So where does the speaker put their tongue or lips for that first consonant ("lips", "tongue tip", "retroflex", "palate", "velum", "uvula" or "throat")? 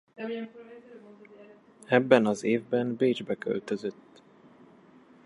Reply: lips